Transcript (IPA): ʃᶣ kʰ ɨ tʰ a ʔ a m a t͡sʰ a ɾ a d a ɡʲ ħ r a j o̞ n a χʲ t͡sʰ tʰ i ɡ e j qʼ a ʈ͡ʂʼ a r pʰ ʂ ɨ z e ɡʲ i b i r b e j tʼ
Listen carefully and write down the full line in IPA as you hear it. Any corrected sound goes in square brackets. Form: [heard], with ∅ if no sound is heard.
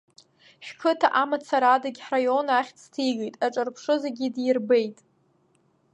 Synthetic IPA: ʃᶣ kʰ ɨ tʰ a ʔ a m a t͡sʰ a ɾ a d a ɡʲ ħ r a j o̞ n a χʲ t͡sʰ tʰ i ɡ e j [tʼ] a ʈ͡ʂʼ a r pʰ ʂ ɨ z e ɡʲ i [d] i r b e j tʼ